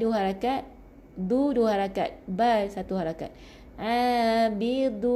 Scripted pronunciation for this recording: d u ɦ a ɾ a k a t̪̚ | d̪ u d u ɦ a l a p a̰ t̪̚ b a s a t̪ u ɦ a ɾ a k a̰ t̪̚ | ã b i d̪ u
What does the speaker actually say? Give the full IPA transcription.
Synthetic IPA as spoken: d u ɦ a ɾ a k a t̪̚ | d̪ u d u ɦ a ɾ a k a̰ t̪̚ b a s a t̪ u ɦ a ɾ a k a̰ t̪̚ | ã b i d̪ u